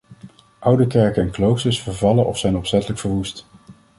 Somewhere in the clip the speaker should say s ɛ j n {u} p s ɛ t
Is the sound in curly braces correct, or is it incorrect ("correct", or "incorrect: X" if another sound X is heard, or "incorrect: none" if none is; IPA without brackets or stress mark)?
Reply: incorrect: ɔ